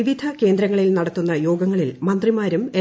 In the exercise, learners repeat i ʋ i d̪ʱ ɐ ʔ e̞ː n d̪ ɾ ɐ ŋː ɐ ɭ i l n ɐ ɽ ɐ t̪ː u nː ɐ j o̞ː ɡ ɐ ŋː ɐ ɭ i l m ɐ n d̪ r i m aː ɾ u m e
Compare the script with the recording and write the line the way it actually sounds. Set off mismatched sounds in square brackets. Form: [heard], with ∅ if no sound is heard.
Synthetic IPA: i ʋ i d̪ʱ ɐ [k] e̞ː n d̪ ɾ ɐ ŋː ɐ ɭ i l n ɐ ɽ ɐ t̪ː u nː ɐ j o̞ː ɡ ɐ ŋː ɐ ɭ i l m ɐ n d̪ r i m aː ɾ u m e